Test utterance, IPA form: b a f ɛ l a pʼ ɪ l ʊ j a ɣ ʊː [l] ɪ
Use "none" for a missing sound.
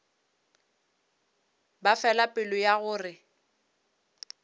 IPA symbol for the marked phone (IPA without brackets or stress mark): r